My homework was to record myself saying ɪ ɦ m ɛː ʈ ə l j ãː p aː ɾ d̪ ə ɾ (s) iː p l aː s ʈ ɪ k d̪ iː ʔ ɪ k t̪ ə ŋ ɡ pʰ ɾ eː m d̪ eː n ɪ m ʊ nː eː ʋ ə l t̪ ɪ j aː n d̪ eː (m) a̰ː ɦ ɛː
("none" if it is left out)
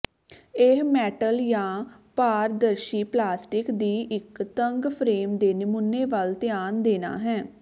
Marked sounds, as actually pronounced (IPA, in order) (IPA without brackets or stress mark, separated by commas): ʃ, n